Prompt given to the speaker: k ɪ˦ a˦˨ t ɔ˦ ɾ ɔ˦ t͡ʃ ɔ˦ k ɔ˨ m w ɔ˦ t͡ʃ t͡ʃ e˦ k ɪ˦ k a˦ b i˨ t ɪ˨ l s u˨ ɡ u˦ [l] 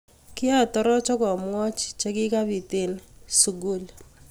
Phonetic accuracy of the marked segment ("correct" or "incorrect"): correct